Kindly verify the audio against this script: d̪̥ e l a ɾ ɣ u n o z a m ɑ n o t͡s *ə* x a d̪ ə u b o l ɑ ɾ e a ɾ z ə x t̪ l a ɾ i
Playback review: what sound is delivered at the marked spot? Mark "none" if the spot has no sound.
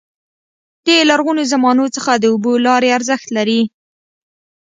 ə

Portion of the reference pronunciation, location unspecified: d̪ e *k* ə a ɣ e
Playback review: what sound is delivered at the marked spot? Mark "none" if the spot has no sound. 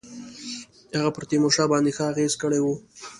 x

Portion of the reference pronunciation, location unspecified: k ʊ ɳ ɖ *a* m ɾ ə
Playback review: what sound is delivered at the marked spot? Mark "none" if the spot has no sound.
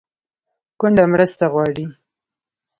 a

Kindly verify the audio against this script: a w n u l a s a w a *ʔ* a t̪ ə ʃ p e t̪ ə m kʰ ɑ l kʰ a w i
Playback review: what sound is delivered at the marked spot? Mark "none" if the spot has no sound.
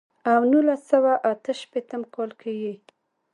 ʔ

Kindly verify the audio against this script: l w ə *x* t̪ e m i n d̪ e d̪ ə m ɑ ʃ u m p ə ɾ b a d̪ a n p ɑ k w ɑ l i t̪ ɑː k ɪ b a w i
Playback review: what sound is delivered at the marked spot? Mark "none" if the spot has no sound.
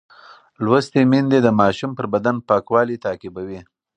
s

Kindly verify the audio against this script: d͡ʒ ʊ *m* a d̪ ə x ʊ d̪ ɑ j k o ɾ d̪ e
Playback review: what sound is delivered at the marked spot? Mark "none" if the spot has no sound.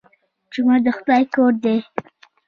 m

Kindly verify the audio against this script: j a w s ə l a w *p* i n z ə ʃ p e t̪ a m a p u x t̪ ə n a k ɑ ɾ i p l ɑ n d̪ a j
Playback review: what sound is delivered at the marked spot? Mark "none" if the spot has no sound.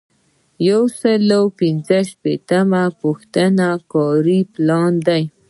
p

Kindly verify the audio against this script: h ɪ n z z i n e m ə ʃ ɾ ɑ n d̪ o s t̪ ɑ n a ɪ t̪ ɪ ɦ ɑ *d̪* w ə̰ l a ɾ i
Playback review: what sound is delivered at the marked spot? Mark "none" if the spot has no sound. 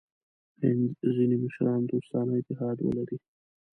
d̪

